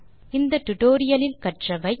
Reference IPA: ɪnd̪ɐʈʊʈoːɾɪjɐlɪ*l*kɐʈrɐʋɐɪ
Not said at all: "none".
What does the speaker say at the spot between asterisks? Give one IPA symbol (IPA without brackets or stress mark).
l